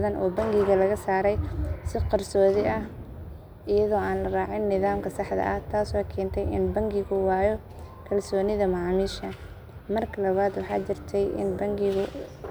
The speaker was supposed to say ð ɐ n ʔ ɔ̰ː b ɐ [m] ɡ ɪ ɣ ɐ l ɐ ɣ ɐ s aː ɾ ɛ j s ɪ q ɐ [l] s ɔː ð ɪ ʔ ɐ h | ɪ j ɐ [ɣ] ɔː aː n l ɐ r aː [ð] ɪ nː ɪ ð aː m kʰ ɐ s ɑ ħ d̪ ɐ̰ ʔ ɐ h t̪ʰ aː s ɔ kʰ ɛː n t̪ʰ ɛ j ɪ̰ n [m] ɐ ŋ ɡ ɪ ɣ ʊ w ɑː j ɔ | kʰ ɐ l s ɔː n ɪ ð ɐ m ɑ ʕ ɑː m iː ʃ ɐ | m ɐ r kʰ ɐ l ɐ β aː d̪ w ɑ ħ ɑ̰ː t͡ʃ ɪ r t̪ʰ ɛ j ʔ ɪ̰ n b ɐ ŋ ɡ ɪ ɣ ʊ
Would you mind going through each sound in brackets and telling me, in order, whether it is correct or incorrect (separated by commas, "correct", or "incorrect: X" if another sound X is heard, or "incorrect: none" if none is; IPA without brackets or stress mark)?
incorrect: ŋ, incorrect: r, incorrect: ð, incorrect: ʕ, incorrect: b